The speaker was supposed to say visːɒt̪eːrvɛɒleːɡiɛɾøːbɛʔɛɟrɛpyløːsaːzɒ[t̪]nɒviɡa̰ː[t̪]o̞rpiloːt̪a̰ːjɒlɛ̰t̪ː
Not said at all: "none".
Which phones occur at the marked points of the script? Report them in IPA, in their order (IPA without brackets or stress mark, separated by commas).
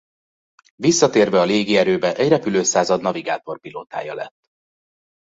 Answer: d̪, t̪